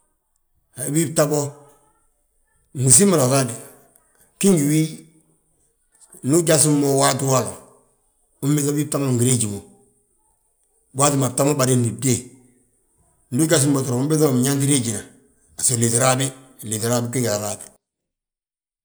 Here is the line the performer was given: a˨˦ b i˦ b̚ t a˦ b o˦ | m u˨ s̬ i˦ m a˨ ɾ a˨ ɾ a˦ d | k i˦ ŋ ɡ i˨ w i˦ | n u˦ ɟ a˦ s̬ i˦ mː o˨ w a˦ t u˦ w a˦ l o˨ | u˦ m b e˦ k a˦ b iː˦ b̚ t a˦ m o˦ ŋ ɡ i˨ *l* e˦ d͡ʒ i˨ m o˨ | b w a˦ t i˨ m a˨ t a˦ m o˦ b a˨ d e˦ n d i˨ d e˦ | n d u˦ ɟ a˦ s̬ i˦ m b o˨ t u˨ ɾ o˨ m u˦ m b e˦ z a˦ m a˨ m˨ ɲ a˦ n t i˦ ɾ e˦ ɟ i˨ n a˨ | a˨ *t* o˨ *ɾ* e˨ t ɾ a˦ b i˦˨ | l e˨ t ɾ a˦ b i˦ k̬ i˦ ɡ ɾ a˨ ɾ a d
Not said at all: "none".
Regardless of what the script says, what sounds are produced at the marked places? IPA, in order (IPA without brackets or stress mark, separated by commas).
ɾ, s, l